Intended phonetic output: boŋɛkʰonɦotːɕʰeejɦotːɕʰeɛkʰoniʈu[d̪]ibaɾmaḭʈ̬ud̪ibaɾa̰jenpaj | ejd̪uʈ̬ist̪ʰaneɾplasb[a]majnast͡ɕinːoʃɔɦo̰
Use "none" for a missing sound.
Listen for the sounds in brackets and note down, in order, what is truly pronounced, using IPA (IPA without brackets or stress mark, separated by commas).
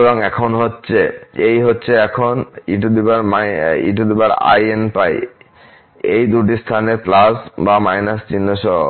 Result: d̪, a